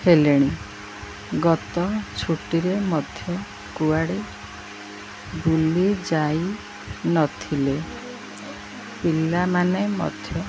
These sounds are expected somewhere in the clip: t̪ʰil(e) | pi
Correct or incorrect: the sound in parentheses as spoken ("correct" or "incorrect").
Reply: correct